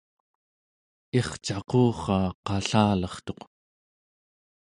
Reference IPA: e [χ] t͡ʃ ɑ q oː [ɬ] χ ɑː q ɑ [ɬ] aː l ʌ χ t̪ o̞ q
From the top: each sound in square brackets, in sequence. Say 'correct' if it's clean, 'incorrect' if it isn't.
correct, incorrect, correct

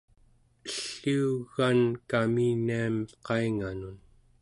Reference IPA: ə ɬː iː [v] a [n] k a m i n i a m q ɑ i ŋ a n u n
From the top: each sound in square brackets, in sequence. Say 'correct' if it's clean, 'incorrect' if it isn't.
incorrect, correct

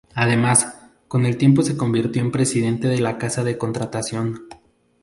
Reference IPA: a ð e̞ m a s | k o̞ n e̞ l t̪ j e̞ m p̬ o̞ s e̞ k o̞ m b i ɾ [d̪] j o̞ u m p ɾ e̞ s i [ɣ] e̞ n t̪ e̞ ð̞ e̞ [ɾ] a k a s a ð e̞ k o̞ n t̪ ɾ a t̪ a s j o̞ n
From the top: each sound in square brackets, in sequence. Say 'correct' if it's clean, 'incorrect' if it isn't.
incorrect, incorrect, incorrect

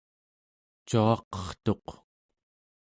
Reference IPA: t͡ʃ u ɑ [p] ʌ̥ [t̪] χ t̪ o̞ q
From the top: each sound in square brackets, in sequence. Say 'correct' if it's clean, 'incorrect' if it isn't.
incorrect, incorrect

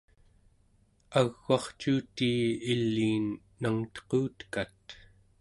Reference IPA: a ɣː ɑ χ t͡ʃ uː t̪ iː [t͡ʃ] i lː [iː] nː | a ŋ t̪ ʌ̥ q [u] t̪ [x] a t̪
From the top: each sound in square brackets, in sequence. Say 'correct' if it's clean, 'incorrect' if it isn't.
incorrect, correct, incorrect, incorrect

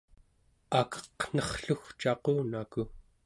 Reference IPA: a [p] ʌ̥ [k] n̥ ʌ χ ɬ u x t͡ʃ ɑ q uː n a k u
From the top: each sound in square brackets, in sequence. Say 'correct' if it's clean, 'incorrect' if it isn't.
incorrect, incorrect

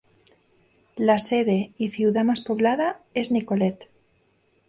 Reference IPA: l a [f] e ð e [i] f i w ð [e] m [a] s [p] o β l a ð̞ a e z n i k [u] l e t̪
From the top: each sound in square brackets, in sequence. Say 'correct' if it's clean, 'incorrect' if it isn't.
incorrect, correct, incorrect, correct, correct, incorrect

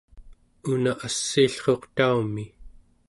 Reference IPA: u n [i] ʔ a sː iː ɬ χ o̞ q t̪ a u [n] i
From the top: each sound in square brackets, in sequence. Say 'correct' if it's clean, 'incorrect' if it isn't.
incorrect, incorrect

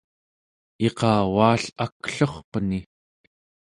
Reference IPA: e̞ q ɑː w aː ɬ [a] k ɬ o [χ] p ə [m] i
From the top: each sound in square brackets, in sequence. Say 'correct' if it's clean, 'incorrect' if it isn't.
correct, correct, incorrect

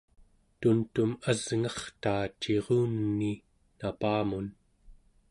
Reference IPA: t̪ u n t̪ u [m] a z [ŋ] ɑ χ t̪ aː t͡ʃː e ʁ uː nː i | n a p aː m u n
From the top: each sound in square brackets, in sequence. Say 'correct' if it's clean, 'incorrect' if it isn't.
correct, correct

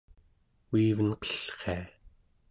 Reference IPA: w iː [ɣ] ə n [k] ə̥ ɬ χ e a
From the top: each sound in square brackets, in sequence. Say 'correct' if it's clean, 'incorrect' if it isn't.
incorrect, incorrect

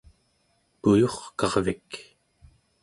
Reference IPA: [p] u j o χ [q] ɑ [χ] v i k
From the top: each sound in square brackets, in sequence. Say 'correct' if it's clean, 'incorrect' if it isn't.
correct, incorrect, incorrect

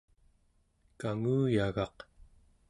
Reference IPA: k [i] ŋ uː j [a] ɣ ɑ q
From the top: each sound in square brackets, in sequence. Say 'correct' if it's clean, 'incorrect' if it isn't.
incorrect, correct

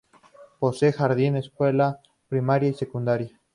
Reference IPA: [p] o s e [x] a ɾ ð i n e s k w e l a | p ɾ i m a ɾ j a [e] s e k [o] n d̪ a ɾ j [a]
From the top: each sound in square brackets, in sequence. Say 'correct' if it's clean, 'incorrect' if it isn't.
correct, correct, incorrect, incorrect, correct

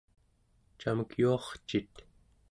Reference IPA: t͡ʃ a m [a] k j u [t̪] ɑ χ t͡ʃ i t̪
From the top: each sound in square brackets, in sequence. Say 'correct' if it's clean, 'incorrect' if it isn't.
incorrect, incorrect

